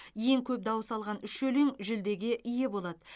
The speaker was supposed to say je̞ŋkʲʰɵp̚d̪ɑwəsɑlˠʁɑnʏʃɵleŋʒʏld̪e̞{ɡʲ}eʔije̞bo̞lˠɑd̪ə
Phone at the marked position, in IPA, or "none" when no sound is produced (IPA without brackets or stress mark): ɡʲ